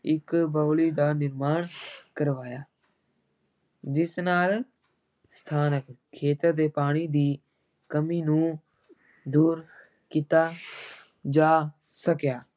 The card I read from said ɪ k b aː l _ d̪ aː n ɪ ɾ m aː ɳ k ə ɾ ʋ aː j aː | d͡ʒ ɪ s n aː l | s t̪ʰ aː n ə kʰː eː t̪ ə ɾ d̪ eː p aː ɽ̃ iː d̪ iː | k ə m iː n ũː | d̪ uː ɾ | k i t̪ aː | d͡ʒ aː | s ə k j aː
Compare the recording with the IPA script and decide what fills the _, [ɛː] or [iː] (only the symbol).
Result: iː